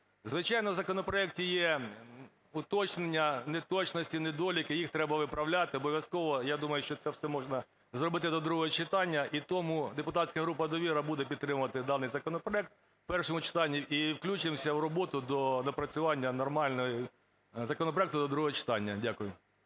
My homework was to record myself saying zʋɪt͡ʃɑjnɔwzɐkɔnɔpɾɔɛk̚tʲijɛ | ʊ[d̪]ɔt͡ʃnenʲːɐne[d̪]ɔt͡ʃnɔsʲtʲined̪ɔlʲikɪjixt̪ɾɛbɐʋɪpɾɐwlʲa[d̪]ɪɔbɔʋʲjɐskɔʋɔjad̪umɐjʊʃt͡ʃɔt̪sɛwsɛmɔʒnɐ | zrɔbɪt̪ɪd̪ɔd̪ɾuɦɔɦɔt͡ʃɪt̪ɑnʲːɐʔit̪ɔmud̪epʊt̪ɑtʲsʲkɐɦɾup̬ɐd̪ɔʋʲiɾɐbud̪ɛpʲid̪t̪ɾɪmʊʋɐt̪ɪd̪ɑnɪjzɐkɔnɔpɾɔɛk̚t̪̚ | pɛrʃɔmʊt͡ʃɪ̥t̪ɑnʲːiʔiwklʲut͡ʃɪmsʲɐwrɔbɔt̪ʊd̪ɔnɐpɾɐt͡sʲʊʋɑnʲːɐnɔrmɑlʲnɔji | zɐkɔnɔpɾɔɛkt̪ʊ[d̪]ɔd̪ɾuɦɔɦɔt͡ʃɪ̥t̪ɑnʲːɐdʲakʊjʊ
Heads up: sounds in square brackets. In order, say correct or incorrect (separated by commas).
incorrect, incorrect, incorrect, correct